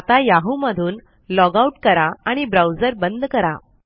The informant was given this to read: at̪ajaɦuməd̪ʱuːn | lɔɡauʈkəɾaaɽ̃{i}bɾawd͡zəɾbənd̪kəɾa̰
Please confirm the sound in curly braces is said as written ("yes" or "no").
yes